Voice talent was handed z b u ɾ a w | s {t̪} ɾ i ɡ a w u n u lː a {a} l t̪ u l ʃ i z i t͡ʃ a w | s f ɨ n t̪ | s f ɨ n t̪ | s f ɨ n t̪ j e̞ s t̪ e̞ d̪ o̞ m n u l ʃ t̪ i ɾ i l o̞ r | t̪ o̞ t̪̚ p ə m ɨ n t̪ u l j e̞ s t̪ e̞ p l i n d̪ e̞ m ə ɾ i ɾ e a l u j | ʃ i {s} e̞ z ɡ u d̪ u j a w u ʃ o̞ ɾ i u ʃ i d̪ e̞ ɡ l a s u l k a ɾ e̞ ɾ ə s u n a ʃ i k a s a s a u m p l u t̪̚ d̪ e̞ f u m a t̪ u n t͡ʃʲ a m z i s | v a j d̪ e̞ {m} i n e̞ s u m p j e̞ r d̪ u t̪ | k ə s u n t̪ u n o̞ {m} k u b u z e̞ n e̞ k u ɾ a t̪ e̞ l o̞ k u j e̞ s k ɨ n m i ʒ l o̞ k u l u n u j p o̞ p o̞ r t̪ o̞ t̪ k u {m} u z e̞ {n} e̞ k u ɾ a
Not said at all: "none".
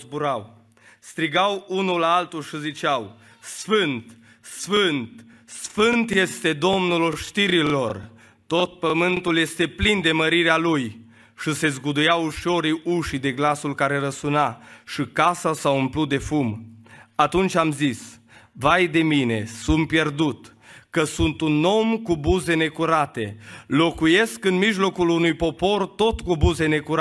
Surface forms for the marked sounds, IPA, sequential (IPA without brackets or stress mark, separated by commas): t̪, a, s, m, m, b, n